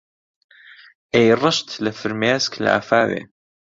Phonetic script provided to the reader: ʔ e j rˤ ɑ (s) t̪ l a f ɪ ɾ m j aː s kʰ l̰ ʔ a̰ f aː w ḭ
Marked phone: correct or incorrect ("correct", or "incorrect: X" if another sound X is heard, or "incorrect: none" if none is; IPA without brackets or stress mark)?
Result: incorrect: ʃ